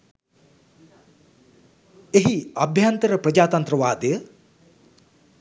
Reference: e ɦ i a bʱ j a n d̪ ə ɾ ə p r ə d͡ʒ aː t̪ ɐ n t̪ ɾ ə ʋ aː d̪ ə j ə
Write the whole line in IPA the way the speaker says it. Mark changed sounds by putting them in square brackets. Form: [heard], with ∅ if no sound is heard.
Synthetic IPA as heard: e ɦ i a bʱ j a n [t̪] ə ɾ ə p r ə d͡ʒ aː t̪ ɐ n t̪ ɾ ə ʋ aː d̪ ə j ə